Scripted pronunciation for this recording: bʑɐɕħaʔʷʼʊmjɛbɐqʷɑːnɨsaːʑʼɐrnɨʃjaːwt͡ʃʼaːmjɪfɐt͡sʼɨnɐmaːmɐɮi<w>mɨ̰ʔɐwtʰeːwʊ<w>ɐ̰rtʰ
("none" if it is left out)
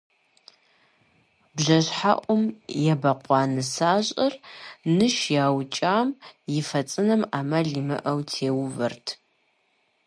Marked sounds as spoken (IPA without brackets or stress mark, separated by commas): none, v